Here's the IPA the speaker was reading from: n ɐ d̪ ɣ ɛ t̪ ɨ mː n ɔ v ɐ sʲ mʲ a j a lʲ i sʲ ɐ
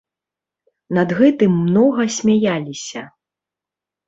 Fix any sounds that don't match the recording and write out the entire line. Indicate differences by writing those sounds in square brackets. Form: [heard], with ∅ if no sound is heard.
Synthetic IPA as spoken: n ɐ d̪ ɣ ɛ t̪ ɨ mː n ɔ [ɣ] ɐ sʲ mʲ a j a lʲ i sʲ ɐ